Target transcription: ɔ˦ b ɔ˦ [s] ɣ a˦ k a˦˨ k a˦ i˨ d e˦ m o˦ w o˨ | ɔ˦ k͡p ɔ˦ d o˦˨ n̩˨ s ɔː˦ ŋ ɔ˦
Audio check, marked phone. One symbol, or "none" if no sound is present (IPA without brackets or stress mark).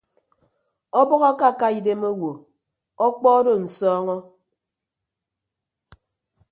none